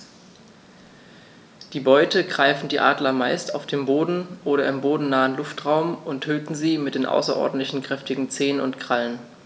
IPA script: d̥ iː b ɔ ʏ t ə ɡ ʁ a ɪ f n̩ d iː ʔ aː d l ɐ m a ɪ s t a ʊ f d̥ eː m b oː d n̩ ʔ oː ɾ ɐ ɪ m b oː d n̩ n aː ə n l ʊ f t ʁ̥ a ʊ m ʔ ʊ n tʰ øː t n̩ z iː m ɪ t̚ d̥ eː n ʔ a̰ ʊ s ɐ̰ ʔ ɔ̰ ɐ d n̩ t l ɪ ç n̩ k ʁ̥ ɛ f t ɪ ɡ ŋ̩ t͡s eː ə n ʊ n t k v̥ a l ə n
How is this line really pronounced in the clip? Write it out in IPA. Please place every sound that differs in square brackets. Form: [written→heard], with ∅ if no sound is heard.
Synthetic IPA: d̥ iː b ɔ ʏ t ə ɡ ʁ a ɪ f n̩ d iː ʔ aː d l ɐ m a ɪ s t a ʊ f d̥ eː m b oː d n̩ ʔ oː ɾ ɐ ɪ m b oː d n̩ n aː ə n l ʊ f t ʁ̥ a ʊ m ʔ ʊ n tʰ øː t n̩ z iː m ɪ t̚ d̥ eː n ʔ a̰ ʊ s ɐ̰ ʔ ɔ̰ ɐ d n̩ t l ɪ ç n̩ k ʁ̥ ɛ f t ɪ ɡ ŋ̩ t͡s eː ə n ʊ n t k [v̥→ʁ̥] a l ə n